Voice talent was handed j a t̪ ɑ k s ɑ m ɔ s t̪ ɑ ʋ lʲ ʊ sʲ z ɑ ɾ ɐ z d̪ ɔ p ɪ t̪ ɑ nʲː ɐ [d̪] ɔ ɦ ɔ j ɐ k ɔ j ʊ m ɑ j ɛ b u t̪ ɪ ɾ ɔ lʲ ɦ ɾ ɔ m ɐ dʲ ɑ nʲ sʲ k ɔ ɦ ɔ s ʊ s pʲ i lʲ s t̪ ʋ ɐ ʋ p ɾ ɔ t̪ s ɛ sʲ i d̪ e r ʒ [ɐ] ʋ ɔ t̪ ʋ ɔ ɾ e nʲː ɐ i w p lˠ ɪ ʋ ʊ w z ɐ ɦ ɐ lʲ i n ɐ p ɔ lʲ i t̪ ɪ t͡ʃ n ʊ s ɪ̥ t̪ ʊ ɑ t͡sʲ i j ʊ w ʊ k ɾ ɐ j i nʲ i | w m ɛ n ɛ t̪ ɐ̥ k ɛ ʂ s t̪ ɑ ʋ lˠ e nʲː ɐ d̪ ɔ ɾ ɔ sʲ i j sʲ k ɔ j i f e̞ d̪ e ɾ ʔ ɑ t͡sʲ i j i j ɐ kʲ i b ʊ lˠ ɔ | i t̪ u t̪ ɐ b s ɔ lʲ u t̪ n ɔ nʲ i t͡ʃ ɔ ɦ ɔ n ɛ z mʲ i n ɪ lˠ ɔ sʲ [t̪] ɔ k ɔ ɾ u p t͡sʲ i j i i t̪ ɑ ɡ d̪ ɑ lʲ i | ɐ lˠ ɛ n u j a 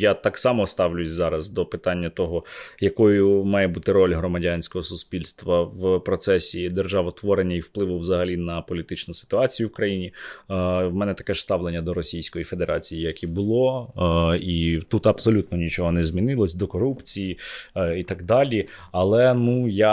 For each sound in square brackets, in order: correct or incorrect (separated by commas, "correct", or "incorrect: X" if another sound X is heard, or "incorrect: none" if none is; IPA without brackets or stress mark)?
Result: incorrect: t̪, incorrect: ɑ, incorrect: d̪